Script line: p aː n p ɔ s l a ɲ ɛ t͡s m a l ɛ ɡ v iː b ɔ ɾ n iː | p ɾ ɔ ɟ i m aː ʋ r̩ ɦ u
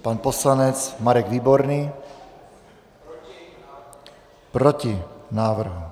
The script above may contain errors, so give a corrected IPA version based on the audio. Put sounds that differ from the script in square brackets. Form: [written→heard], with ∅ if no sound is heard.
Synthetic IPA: p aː n p ɔ s l a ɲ ɛ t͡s m a [l→ɾ] ɛ ɡ [v→ʋ] iː b ɔ ɾ n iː | p ɾ ɔ [ɟ→c] i [m→n] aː ʋ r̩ ɦ u